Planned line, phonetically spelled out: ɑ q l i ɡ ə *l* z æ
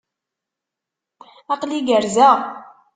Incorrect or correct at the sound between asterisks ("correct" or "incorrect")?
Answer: incorrect